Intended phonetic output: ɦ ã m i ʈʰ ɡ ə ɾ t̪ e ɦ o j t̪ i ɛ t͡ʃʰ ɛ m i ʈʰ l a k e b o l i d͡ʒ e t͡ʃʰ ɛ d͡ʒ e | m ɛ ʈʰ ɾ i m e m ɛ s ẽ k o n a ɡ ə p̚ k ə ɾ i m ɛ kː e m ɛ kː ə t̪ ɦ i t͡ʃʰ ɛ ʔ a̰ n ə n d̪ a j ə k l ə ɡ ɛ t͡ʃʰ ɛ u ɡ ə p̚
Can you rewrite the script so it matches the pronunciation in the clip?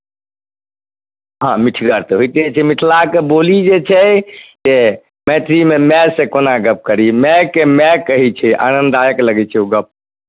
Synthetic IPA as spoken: ɦ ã m i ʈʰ ɡ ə ɾ t̪ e ɦ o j t̪ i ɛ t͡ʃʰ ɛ m i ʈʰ l a k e b o l i d͡ʒ e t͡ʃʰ ɛ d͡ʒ e | m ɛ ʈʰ ɾ i m e m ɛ s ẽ k o n a ɡ ə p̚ k ə ɾ i m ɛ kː e m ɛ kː ə ɦ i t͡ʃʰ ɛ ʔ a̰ n ə n d̪ a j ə k l ə ɡ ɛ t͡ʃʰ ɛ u ɡ ə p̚